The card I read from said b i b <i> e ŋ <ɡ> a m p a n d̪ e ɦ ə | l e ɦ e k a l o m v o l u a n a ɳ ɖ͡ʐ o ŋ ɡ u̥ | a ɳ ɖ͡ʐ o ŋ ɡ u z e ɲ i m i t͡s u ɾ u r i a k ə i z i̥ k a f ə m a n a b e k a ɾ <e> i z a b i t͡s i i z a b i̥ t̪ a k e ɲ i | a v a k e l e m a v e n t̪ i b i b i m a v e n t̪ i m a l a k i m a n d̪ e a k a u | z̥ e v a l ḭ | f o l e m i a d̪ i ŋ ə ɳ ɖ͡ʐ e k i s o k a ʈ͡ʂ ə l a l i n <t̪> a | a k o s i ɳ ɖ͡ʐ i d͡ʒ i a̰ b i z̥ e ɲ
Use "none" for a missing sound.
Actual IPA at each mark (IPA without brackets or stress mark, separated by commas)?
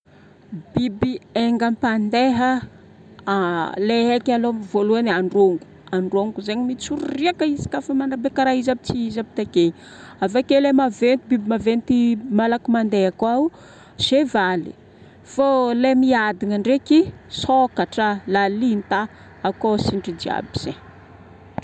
i, ɡ, a, t̪